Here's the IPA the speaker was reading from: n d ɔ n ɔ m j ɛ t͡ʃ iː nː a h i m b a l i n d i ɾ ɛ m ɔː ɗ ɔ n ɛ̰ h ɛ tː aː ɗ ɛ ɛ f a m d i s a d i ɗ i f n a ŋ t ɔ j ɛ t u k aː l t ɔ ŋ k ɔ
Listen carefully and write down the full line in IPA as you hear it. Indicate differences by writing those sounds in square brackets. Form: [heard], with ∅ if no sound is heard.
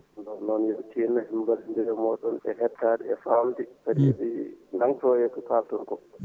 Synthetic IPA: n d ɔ n ɔ [n] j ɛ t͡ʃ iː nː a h i m b a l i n d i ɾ ɛ m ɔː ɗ ɔ n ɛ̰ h ɛ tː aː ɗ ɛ ɛ f a m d i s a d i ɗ i [∅] n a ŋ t ɔ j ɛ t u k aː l t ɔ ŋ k ɔ

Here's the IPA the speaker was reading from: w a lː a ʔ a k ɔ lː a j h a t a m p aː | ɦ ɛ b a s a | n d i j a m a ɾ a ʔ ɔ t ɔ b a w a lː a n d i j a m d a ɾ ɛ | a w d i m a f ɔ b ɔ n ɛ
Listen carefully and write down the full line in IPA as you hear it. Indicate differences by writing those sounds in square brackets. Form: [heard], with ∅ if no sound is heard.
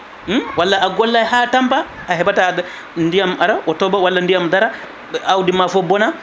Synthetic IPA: w a lː a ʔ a [ɡ] ɔ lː a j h a t a m p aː | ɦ ɛ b a [t] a | n d i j a m a ɾ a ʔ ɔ t ɔ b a w a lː a n d i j a m d a ɾ [a] | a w d i m a f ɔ b ɔ n [a]

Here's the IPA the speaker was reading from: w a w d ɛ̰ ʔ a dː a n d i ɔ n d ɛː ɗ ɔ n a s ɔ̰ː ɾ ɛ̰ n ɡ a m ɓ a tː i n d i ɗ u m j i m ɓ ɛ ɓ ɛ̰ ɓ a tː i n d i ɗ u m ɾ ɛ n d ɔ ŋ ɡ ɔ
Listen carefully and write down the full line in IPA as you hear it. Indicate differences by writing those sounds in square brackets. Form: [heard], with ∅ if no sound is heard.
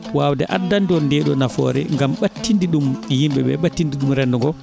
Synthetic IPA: w a w d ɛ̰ ʔ a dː a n d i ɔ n d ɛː ɗ ɔ n a [f] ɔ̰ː ɾ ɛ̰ [ŋ] ɡ a m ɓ a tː i n d i ɗ u m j i m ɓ ɛ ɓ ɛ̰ ɓ a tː i n d i ɗ u m ɾ ɛ n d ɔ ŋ ɡ ɔ

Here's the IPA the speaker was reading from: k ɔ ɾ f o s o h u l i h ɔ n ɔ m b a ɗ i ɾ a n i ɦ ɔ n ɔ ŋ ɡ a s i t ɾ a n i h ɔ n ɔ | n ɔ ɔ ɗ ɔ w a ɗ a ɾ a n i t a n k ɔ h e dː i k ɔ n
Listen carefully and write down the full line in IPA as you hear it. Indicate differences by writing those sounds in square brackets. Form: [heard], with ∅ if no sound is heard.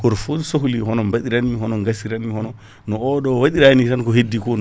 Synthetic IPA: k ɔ ɾ f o s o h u l i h ɔ n ɔ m b a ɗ i ɾ a n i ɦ ɔ n ɔ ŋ ɡ a s i [∅] ɾ a n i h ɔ n ɔ | n ɔ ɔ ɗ ɔ w a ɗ [i] ɾ a n i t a n k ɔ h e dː i k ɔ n

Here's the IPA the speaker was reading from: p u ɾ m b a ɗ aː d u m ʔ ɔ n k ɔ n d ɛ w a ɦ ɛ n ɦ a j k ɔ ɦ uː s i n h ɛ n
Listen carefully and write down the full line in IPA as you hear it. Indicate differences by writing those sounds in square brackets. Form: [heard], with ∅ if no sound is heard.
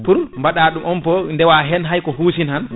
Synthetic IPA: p u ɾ m b a ɗ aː [ɗ] u m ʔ ɔ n [p] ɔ n d ɛ w a ɦ ɛ n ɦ a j k ɔ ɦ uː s i n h [a] n

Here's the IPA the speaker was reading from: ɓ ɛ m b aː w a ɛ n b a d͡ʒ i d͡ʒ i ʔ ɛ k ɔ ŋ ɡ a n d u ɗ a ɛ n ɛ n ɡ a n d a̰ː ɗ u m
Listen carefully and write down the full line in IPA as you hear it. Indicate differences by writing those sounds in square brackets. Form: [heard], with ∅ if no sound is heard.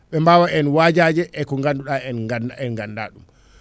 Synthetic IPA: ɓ ɛ m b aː w a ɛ n [w] a d͡ʒ [a] d͡ʒ [ɛ] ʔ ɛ k ɔ ŋ ɡ a n d u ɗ a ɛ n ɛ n ɡ a n d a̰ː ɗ u m

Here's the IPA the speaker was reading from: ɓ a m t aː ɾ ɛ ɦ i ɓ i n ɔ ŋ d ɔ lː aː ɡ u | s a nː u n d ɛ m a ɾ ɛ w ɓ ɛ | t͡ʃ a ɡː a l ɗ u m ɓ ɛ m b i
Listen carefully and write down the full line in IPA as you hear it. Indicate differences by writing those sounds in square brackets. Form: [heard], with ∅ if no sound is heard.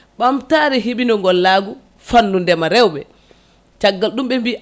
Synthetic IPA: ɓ a m t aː ɾ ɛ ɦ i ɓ i n ɔ ŋ [ɡ] ɔ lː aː ɡ u | [f] a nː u n d ɛ m a ɾ ɛ w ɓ ɛ | t͡ʃ a ɡː a l ɗ u m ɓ ɛ m b i

